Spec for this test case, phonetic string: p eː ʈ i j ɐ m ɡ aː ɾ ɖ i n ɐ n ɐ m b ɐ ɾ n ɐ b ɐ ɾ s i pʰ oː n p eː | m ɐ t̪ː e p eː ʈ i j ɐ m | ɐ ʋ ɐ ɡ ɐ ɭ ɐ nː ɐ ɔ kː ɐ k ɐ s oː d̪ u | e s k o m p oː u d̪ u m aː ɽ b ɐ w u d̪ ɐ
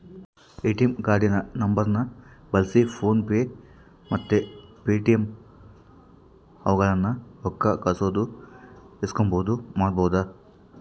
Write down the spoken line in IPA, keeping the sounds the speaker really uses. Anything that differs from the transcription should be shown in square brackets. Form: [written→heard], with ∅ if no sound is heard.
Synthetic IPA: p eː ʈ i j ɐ m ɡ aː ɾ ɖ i n ɐ n ɐ m b ɐ ɾ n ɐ b ɐ [ɾ→l] s i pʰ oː n p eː | m ɐ t̪ː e p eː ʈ i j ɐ m | ɐ ʋ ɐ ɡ ɐ ɭ ɐ nː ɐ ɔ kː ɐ k ɐ s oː d̪ u | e s k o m [p→b] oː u d̪ u m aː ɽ b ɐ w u d̪ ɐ

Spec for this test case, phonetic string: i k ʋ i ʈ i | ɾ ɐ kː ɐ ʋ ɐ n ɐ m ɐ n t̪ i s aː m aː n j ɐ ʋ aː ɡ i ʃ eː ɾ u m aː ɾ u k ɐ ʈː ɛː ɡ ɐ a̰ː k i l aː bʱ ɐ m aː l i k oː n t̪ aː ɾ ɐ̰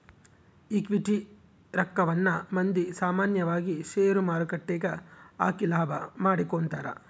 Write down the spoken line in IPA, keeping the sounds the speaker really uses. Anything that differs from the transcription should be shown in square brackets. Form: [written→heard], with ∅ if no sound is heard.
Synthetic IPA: i k ʋ i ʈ i | ɾ ɐ kː ɐ ʋ ɐ [n→nː] ɐ m ɐ n [t̪→d̪] i s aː m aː n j ɐ ʋ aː ɡ i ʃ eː ɾ u m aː ɾ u k ɐ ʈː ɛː ɡ ɐ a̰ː k i l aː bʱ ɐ m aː [l→ɽ] i k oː n t̪ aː ɾ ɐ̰

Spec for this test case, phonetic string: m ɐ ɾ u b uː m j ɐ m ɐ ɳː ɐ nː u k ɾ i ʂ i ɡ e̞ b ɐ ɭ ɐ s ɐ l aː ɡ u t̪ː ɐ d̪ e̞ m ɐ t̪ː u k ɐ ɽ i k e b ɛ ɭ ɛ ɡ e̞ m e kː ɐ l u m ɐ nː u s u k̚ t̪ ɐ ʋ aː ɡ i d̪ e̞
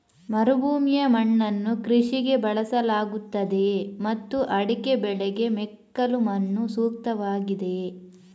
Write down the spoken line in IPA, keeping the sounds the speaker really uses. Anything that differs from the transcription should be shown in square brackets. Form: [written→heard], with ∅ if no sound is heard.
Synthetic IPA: m ɐ ɾ u b uː m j ɐ m ɐ ɳː ɐ nː u k ɾ i ʂ i ɡ e̞ b ɐ ɭ ɐ s ɐ l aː ɡ u t̪ː ɐ d̪ e̞ m ɐ t̪ː u [k→ʔ] ɐ ɽ i k e b ɛ ɭ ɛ ɡ e̞ m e kː ɐ l u m ɐ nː u s [u→uː] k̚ t̪ ɐ ʋ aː ɡ i d̪ e̞

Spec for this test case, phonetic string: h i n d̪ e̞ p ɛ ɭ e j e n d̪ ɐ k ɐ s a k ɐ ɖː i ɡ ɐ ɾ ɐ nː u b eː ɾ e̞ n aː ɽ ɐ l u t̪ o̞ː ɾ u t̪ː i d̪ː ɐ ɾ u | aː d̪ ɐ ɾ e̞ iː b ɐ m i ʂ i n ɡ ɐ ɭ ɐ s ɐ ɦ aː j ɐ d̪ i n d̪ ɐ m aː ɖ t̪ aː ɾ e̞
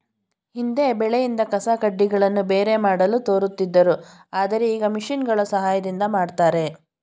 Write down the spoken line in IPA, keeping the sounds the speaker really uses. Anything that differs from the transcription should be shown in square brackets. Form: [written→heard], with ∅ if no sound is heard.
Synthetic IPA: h i n d̪ e̞ [p→b] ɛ ɭ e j [e→i] n d̪ ɐ k ɐ s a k ɐ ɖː i ɡ ɐ [ɾ→ɭ] ɐ nː u b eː ɾ e̞ [n→m] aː ɽ ɐ l u t̪ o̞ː ɾ u t̪ː i d̪ː ɐ ɾ u | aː d̪ ɐ ɾ e̞ iː [b→ɡ] ɐ m i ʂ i n ɡ ɐ ɭ ɐ s ɐ ɦ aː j ɐ d̪ i n d̪ ɐ m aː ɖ t̪ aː ɾ e̞

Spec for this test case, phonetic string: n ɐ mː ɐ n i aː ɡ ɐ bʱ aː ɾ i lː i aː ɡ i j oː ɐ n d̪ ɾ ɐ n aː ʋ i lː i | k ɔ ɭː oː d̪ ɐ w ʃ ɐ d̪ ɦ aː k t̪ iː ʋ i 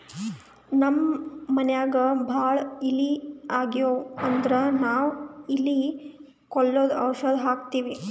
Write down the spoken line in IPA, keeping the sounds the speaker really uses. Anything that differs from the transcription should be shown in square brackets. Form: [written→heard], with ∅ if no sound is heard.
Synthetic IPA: n ɐ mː ɐ n [i→j] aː ɡ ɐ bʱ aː [ɾ→ɭ] i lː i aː ɡ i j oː ɐ n d̪ ɾ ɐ n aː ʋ i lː i | k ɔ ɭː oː d̪ ɐ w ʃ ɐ d̪ ɦ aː k t̪ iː ʋ i

